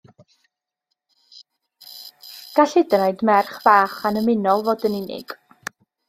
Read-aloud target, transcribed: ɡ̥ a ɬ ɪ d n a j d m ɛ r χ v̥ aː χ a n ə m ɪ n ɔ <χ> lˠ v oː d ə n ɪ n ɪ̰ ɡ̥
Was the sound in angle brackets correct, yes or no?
no